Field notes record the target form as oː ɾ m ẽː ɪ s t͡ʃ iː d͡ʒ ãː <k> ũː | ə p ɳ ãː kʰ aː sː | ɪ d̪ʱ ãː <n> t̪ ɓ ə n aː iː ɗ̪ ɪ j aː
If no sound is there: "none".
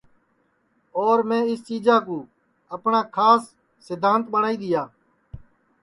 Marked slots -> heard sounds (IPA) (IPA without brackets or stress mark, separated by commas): k, n